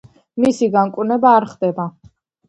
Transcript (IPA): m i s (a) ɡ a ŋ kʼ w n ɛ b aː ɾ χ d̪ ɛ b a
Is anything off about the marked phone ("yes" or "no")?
yes